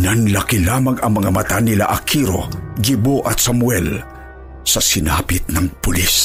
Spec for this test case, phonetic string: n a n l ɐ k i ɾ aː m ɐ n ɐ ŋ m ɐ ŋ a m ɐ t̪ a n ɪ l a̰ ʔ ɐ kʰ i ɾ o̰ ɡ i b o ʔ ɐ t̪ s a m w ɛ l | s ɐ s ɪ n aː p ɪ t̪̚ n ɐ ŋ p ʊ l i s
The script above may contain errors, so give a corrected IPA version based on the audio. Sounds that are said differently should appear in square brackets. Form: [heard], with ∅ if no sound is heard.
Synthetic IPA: n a n l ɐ k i [l] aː m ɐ [ŋ] ɐ ŋ m ɐ ŋ a m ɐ t̪ a n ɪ l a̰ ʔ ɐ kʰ i ɾ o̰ ɡ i b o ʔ ɐ t̪ s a m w ɛ l | s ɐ s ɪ n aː p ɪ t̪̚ n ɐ ŋ p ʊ l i s